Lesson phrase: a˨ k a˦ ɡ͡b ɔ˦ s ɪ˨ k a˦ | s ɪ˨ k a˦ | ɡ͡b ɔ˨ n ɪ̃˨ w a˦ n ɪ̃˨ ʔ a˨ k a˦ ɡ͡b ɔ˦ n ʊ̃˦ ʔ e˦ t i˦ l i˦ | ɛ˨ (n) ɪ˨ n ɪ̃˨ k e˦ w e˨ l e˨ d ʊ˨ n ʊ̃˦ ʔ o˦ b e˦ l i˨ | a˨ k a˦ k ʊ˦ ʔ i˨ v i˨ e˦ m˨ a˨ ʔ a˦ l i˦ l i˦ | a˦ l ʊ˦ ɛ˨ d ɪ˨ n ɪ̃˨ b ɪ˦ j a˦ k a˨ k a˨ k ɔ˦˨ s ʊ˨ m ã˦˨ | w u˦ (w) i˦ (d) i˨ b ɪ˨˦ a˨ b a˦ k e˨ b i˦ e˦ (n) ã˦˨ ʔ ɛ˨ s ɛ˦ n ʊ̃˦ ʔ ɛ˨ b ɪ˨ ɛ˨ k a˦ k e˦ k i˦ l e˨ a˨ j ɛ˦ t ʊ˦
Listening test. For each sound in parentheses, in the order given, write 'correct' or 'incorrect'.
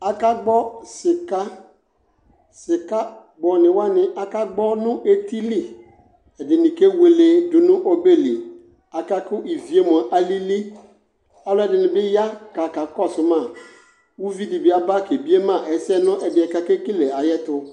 incorrect, incorrect, correct, incorrect

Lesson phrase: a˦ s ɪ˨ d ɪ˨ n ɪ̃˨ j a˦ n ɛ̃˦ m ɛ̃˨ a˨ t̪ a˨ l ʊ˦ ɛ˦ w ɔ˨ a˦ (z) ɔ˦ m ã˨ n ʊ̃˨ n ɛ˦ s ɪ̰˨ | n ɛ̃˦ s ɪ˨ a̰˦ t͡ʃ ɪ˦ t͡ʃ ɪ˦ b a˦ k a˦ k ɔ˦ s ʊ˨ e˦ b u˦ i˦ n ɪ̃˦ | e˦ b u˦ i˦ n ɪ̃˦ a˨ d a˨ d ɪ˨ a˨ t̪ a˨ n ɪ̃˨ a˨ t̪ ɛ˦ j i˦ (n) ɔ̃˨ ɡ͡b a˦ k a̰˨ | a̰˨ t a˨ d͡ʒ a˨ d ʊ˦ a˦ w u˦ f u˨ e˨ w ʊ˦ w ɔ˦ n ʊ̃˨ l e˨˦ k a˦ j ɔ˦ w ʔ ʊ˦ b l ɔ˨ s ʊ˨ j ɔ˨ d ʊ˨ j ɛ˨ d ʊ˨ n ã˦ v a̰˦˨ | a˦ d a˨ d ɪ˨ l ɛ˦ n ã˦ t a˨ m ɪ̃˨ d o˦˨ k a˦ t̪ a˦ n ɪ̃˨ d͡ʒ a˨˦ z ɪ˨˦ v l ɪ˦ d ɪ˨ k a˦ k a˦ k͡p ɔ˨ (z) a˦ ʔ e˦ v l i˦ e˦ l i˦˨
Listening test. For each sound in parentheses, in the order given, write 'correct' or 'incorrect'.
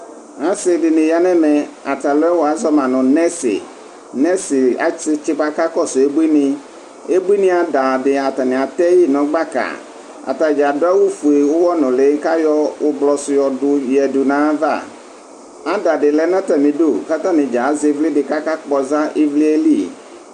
correct, correct, correct

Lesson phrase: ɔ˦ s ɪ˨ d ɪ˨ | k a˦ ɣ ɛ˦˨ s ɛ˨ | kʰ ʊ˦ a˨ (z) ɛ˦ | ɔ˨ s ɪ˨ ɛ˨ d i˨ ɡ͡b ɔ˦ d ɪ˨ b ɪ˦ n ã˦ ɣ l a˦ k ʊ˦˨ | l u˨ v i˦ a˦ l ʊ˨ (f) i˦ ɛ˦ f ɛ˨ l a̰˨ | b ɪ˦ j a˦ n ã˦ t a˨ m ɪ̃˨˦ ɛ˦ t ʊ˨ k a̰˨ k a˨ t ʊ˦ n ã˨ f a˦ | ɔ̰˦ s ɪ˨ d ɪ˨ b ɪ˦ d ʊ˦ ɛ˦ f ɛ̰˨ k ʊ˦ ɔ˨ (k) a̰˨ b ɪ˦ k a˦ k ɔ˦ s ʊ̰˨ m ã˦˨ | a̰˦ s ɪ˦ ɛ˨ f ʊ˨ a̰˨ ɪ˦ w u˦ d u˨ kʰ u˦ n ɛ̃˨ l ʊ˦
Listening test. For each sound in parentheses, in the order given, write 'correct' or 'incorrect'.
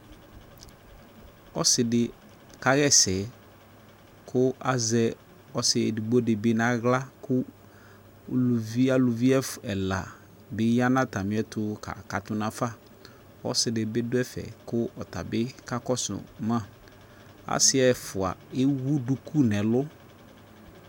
correct, incorrect, incorrect

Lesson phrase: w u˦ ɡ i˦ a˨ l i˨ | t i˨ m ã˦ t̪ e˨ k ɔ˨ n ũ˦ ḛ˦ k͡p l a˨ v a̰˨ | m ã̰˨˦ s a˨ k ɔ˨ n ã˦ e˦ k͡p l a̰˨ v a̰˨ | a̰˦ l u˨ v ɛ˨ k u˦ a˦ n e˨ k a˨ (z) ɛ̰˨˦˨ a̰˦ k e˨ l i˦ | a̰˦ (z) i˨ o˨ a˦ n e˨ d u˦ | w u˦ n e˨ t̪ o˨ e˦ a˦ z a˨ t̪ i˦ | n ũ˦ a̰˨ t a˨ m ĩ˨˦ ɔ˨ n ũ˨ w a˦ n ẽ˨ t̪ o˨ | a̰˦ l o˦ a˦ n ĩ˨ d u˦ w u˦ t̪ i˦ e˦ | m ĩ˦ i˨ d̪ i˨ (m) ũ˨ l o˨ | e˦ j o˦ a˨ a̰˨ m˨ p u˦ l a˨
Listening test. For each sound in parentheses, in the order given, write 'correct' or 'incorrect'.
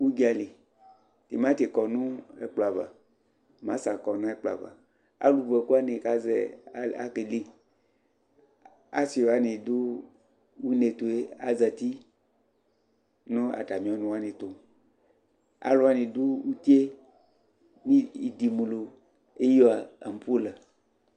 correct, incorrect, correct

